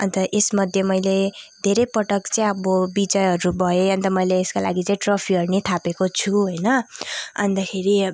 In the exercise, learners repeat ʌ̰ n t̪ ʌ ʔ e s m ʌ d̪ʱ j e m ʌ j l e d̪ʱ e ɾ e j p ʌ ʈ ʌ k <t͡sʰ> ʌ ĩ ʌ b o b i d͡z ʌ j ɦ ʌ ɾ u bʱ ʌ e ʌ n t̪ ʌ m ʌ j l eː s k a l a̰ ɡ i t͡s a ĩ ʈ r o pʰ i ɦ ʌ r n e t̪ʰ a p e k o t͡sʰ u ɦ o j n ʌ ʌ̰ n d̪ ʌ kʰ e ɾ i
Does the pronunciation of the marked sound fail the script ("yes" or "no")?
yes